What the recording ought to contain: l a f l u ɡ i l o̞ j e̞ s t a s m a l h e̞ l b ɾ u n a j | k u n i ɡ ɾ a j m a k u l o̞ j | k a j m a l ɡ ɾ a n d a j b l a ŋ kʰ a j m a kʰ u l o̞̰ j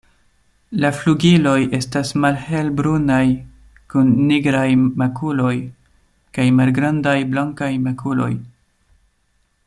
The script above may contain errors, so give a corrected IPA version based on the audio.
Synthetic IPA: l a f l u ɡ i l o̞ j e̞ s t a s m a l h e̞ l b ɾ u n a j | k u nː i ɡ ɾ a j m a k u l o̞ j | k a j m a l ɡ ɾ a n d a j b l a ŋ k a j m a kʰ u l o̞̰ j